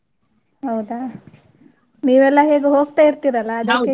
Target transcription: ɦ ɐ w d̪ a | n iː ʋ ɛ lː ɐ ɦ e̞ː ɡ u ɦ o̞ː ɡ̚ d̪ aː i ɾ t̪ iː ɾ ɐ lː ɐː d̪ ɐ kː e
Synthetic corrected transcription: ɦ ɐ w d̪ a | n iː ʋ ɛ lː ɐ ɦ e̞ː ɡ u ɦ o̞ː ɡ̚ t̪ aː i ɾ t̪ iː ɾ ɐ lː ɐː d̪ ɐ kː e